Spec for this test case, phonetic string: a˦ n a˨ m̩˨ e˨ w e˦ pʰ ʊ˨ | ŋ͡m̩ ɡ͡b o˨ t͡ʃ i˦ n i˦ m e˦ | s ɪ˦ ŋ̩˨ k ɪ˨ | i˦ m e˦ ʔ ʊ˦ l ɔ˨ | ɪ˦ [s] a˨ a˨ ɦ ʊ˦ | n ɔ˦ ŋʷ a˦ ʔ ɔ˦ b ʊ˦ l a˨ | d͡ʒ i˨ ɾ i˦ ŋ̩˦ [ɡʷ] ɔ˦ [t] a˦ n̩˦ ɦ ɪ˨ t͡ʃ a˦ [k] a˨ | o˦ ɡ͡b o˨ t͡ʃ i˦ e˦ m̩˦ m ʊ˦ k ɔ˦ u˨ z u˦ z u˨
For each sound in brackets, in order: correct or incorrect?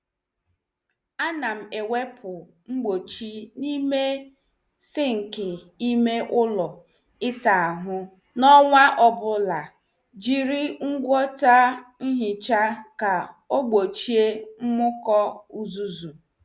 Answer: correct, correct, correct, correct

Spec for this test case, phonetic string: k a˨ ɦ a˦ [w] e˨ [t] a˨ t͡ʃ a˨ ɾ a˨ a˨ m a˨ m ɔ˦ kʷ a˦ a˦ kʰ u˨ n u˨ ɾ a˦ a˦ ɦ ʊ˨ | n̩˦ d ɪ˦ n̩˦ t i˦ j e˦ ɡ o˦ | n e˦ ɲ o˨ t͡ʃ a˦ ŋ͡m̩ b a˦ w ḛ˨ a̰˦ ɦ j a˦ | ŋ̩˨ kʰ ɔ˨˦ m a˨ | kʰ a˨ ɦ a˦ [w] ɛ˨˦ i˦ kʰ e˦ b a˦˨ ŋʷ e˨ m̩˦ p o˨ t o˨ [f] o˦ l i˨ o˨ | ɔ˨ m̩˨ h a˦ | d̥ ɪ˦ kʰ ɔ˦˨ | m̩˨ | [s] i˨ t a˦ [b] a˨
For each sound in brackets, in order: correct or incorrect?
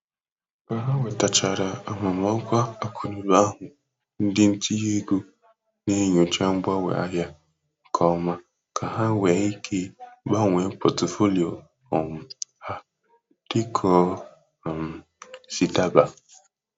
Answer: correct, correct, correct, correct, correct, correct

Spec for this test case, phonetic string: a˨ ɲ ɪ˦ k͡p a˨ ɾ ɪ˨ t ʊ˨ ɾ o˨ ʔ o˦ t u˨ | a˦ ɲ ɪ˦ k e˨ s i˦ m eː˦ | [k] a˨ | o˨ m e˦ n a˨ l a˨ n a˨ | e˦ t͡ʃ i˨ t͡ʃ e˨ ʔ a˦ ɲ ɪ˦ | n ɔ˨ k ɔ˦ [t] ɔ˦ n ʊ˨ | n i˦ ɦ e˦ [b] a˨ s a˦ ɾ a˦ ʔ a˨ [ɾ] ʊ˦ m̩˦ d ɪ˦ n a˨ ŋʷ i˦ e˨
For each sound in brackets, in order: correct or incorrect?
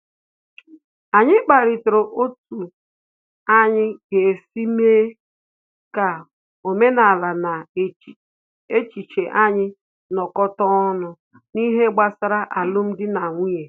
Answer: correct, correct, incorrect: ɡ͡b, incorrect: l

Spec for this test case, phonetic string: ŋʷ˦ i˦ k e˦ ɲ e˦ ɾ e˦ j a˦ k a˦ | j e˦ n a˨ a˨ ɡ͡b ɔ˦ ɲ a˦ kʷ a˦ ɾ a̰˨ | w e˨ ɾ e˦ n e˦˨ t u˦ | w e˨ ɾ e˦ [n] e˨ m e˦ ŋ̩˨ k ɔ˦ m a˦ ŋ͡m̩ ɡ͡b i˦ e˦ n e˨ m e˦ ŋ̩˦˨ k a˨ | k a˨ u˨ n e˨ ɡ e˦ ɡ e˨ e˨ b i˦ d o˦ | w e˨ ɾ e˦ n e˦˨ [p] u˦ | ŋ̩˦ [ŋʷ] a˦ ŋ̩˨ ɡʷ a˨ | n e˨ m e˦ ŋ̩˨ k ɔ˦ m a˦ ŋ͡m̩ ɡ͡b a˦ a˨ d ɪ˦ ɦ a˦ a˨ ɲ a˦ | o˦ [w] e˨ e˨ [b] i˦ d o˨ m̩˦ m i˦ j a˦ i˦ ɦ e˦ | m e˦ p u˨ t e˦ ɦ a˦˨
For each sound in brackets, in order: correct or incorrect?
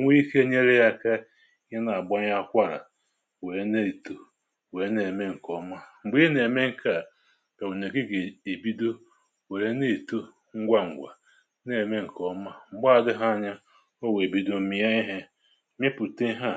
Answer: correct, incorrect: t, incorrect: ɡʷ, correct, correct

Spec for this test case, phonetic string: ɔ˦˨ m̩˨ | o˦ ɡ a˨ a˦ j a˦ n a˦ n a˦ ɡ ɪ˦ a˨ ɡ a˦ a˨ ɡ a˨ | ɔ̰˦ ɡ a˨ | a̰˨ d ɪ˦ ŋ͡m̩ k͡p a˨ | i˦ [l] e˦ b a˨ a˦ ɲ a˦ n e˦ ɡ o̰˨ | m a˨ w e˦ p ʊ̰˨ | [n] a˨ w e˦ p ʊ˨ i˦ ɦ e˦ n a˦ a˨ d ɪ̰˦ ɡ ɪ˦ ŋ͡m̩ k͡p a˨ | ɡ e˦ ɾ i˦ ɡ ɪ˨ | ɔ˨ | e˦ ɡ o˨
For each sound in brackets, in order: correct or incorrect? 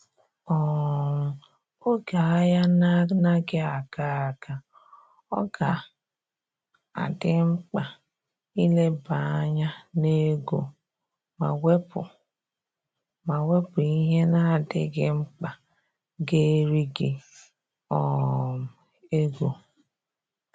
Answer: correct, incorrect: m

